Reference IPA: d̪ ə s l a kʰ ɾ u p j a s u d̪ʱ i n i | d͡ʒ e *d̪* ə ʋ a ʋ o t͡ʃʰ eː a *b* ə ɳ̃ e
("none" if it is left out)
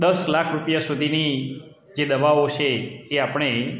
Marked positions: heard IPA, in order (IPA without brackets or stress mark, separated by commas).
d̪, p